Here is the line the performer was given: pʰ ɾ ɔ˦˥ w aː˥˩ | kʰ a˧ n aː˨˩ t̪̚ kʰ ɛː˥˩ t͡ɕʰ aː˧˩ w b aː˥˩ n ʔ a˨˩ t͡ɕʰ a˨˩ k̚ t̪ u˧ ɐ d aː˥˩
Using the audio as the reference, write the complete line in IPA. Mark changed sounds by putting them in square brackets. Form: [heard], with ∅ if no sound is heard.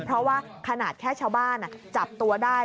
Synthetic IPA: pʰ ɾ ɔ˦˥ w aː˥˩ | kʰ a˧ n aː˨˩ t̪̚ kʰ ɛː˥˩ t͡ɕʰ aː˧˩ w b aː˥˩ n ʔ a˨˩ [t͡ɕ] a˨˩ [p̚] t̪ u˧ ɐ d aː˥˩